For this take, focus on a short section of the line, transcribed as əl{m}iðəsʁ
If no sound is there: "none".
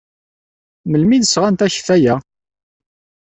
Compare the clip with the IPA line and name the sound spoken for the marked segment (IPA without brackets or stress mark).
m